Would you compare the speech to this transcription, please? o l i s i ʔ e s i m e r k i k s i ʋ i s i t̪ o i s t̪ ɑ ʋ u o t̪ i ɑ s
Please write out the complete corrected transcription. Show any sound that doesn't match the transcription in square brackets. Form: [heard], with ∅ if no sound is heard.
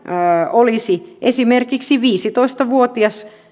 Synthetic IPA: o l i s i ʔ e s i m e r k i k s i ʋ [iː] s i t̪ o i s t̪ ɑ ʋ u o t̪ i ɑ s